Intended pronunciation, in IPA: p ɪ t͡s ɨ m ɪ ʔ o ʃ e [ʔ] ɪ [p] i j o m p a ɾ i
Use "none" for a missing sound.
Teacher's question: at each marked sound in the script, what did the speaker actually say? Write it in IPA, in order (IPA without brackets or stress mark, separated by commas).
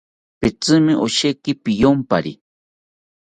k, p